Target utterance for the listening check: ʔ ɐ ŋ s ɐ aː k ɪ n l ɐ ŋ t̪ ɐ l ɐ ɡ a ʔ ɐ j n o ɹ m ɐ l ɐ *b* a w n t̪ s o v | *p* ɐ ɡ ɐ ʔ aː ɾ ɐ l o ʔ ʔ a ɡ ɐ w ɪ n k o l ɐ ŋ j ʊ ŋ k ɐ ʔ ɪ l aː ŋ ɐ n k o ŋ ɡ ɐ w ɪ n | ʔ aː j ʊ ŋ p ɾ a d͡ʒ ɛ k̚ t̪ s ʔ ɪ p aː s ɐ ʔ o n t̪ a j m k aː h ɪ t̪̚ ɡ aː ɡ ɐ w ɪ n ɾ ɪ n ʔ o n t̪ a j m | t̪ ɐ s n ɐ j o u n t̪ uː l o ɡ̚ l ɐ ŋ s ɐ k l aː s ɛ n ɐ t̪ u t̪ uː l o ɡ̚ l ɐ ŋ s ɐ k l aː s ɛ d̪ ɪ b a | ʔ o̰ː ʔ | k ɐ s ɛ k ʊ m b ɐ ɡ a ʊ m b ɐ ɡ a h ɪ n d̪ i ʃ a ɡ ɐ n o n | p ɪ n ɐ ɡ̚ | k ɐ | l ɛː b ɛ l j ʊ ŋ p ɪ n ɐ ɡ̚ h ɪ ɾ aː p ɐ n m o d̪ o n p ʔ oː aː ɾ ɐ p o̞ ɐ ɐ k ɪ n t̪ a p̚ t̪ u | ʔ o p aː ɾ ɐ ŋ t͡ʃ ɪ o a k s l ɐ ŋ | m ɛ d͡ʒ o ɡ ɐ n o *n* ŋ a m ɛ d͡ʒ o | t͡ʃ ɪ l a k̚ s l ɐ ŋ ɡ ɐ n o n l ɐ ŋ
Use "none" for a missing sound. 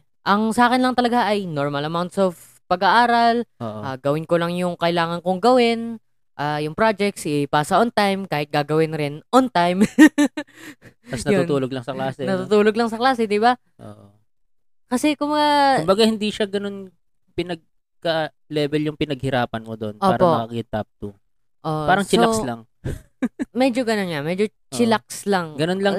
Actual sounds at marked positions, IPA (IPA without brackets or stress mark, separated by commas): m, p, n